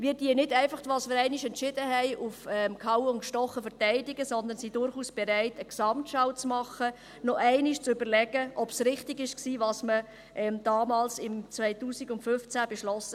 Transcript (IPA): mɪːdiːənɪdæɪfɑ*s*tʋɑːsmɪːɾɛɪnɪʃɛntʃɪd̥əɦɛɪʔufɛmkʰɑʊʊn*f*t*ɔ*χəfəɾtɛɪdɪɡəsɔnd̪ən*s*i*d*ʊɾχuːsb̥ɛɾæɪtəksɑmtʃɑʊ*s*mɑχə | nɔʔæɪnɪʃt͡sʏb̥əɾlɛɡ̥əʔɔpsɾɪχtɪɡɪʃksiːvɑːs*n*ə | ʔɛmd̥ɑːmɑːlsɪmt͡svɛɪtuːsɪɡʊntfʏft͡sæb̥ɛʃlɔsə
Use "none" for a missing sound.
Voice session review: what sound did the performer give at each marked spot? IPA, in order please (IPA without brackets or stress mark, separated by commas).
χ, ʃ, ɔ, s, d, t͡s, m